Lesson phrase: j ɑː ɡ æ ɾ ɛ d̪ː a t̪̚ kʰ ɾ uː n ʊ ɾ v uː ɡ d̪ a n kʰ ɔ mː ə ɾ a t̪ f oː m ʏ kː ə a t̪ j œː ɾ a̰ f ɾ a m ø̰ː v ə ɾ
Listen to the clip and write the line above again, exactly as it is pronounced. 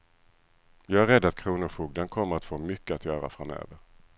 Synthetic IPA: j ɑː ɡ æ ɾ ɛ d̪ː a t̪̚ kʰ ɾ uː n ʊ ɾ f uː ɡ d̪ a n kʰ ɔ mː ə ɾ a t̪ f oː m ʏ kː ə a t̪ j œː ɾ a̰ f ɾ a m ø̰ː v ə ɾ

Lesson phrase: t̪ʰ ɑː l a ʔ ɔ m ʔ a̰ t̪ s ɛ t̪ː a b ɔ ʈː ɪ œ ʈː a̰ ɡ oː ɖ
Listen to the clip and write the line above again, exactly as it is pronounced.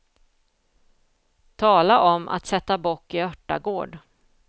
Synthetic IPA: t̪ʰ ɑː l a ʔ ɔ m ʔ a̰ t̪ s ɛ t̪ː a b ɔ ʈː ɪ œ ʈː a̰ ɡ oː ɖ

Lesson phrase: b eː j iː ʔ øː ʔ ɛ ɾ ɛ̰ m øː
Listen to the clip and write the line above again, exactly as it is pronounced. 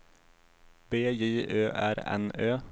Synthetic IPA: b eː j iː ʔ øː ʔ æ ɾ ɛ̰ n øː

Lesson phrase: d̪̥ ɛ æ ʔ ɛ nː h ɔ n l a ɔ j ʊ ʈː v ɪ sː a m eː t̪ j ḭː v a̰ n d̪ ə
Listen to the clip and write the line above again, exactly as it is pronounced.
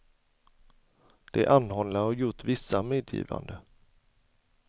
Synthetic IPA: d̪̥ ɛ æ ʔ a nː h ɔ n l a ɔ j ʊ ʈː v ɪ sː a m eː d̪ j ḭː v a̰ n d̪ ə

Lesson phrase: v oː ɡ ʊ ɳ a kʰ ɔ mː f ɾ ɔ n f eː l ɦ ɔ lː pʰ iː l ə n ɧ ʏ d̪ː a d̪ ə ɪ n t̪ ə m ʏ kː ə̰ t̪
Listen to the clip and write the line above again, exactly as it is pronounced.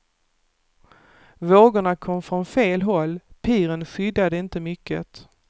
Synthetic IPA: v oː ɡ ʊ ɳ a kʰ ɔ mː f ɾ ɔ n f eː l ɦ ɔ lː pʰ iː ɾ ə n ɧ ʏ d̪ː a d̪ ə ɪ n t̪ ə m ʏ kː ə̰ t̪

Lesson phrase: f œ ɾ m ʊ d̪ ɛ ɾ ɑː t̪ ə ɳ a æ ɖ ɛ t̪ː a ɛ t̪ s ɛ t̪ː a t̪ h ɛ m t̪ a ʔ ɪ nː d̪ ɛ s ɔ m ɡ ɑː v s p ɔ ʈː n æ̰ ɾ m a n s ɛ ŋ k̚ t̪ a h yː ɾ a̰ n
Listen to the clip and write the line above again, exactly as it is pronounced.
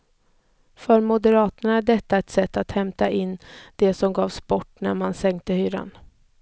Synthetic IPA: f œ ɾ m ʊ d̪ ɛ ɾ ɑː t̪ ə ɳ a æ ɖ ɛ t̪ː a ɛ t̪ s ɛ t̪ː a t̪ h ɛ m t̪ a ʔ ɪ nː d̪ ɛ s ɔ m ɡ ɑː v s p ɔ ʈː n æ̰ ɾ m a n s ɛ ŋ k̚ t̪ ə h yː ɾ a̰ n

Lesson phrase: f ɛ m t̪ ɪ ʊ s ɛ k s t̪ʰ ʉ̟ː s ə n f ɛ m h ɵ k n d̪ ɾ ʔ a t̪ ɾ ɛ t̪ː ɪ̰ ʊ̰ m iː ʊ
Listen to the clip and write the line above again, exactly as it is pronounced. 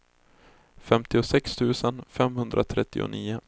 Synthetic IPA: f ɛ m t̪ ɪ ʊ s ɛ k s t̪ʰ ʉ̟ː s ə n f ɛ m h ɵ n d̪ ɾ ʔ a t̪ʰ ɾ ɛ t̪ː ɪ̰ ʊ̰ n iː ʊ

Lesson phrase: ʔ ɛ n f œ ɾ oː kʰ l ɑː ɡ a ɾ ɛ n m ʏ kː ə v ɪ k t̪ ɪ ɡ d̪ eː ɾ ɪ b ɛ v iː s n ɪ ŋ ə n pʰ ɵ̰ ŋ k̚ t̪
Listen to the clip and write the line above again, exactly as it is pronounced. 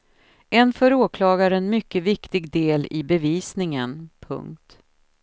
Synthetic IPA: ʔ ɛ n f œ ɾ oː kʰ l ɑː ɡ a ɾ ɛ n m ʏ kː ə v ɪ k t̪ ɪ ɡ d̪ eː l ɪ b ɛ v iː s n ɪ ŋ ə n pʰ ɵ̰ ŋ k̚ t̪

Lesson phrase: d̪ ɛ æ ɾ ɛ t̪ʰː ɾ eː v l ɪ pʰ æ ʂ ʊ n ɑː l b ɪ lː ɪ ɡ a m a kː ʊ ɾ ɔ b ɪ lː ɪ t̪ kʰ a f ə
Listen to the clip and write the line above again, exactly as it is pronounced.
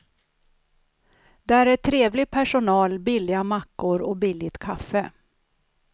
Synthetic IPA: d̪ ɛ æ ɾ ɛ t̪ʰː ɾ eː v l ɪ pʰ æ ʂ ʊ n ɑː l b ɪ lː ɪ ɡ a m a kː ʊ ɾ ɔ b ɪ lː ɪ t̪ kʰ a f ə

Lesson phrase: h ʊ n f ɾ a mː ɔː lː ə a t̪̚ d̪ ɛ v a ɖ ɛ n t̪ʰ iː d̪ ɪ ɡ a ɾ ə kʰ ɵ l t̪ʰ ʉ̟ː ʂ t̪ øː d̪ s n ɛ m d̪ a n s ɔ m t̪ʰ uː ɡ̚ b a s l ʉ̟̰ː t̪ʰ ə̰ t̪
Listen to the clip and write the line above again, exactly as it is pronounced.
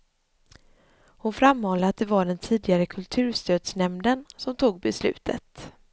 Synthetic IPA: h ʊ n f ɾ a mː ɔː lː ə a t̪̚ d̪ ɛ v a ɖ ɛ n t̪ʰ iː d̪ ɪ ɡ a ɾ ə kʰ ɵ l t̪ʰ ʉ̟ː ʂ t̪ øː d̪ s n ɛ m d̪ ə n s ɔ m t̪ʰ uː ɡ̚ b ɛ s l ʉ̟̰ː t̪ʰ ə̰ t̪

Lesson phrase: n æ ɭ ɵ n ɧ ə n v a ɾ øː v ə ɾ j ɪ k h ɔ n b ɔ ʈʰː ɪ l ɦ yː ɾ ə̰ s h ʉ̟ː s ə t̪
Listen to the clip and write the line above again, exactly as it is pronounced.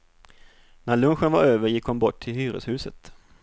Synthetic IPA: n æ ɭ ɵ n ɧ ə n v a ɾ øː v ə ɾ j ɪ k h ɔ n b ɔ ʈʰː ɪ l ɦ yː ɾ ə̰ s h ʉ̟ː s ə t̪

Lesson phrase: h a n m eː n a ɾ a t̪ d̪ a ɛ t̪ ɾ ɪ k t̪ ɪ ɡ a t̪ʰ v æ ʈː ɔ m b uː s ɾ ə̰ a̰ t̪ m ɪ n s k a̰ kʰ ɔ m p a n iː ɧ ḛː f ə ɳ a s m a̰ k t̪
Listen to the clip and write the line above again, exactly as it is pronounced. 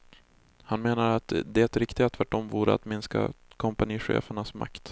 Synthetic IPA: h a n m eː n a ɾ a t̪ d̪ ɛ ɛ t̪ ɾ ɪ k t̪ ɪ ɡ a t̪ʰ v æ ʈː ɔ m v uː ɾ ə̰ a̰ t̪ m ɪ n s k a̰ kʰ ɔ m p a n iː ɧ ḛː f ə ɳ a s m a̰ k t̪

